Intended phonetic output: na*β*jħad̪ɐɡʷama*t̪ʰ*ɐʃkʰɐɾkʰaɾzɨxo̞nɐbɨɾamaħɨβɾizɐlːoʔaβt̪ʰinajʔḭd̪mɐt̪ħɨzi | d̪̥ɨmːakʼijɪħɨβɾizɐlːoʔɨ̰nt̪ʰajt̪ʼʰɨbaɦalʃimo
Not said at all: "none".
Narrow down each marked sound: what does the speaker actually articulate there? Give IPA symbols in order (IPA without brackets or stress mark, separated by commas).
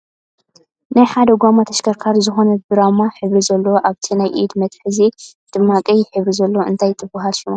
none, t̪ʰ